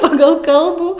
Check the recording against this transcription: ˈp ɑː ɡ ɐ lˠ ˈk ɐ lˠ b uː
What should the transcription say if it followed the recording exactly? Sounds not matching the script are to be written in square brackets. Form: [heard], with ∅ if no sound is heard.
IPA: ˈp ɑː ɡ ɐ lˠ ˈk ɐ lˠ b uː